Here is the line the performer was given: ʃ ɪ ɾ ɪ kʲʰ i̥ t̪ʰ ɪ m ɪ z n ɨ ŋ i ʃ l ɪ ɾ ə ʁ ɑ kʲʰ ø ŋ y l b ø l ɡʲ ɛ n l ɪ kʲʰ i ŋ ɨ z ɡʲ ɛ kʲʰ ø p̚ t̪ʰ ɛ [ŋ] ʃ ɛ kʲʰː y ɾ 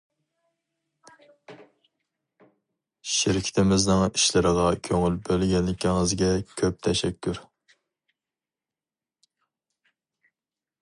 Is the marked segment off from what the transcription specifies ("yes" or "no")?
yes